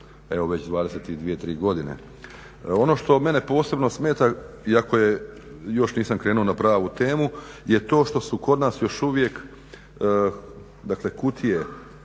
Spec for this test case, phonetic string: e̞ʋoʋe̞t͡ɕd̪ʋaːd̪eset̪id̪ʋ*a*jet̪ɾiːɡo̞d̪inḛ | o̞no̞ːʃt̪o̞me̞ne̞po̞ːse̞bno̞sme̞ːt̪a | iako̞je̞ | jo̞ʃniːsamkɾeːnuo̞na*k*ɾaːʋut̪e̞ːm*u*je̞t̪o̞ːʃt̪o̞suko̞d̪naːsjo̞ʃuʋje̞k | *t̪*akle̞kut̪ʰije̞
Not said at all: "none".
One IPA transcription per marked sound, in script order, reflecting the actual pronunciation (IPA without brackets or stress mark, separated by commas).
i, p, u, d̪